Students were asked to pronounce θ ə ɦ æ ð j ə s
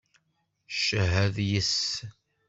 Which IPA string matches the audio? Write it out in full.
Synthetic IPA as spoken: ʃ ə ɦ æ ð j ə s